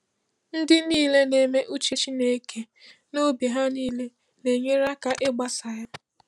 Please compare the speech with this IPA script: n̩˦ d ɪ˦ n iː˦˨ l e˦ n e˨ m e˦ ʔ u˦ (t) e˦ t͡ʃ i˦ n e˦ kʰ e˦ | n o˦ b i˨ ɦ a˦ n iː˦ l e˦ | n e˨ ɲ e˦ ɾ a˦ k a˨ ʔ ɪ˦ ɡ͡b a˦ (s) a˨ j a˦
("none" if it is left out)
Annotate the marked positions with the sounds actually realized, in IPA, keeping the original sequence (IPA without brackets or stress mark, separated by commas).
t͡ʃ, s